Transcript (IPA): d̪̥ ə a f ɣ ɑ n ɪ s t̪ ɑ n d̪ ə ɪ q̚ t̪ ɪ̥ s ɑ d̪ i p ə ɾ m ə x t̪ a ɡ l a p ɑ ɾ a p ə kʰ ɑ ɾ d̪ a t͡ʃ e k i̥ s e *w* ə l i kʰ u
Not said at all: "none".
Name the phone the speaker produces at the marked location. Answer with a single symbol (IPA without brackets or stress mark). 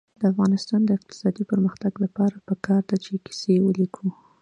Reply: w